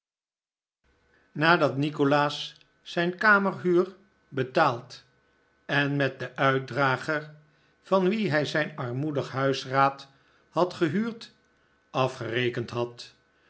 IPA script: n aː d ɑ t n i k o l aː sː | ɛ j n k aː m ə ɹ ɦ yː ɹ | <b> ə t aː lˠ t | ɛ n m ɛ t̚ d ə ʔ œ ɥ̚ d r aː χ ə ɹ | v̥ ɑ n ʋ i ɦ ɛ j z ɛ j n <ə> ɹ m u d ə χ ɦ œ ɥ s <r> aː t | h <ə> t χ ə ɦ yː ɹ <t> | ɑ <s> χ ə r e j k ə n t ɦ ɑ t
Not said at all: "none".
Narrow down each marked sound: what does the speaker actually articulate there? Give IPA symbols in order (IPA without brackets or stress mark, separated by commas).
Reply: b, ɑ, r, ɑ, t, f